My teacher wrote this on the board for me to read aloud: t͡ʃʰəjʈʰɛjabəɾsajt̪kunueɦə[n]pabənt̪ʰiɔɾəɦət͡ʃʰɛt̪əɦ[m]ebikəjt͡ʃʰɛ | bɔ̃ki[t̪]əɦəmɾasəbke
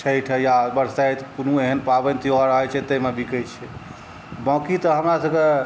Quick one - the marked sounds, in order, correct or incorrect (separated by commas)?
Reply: correct, correct, correct